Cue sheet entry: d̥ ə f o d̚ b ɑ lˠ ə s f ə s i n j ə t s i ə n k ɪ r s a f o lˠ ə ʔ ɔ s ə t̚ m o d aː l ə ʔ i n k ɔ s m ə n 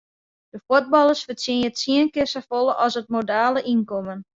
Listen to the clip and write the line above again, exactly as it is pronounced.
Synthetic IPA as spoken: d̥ ə f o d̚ b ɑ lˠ ə s f ə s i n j ə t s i ə n k ɪ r s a f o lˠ ə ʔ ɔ s ə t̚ m o d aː l ə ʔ i n k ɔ m ə n